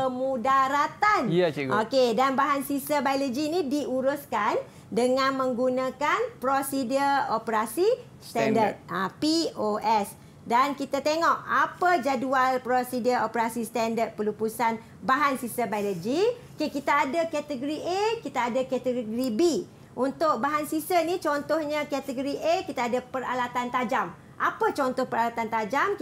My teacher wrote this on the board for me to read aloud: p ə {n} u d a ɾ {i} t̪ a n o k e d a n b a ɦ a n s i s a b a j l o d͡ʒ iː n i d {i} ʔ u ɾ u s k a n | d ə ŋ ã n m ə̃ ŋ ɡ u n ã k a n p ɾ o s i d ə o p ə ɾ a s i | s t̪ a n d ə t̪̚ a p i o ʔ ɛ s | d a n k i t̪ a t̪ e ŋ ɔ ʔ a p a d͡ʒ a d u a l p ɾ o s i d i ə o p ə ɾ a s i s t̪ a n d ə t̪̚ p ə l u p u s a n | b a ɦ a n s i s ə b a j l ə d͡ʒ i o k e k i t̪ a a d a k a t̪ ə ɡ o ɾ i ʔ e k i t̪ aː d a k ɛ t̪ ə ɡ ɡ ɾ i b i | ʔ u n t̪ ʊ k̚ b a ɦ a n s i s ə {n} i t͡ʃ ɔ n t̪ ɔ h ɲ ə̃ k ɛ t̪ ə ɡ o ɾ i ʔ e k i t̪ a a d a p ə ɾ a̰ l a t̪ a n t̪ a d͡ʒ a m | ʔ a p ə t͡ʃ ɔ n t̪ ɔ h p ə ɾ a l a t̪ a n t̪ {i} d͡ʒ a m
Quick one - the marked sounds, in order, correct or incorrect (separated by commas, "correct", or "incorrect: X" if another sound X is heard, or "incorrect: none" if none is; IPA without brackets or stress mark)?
incorrect: m, incorrect: a, correct, correct, incorrect: a